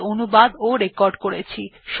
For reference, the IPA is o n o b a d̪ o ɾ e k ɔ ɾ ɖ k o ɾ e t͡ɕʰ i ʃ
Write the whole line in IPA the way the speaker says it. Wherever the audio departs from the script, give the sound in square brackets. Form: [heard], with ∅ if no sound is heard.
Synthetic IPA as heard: o n [u] b a d̪ o ɾ e k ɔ ɾ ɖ k o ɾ e t͡ɕʰ i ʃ